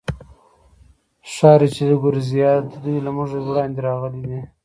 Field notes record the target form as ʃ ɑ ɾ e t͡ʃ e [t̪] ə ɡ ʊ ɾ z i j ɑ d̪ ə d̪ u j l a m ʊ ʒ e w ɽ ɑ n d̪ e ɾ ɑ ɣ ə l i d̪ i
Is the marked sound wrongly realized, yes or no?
yes